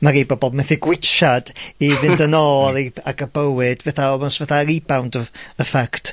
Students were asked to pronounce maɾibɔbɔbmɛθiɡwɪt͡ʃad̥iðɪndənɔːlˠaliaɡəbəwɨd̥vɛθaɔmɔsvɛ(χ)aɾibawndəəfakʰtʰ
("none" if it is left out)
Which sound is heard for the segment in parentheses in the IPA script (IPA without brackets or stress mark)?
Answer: θ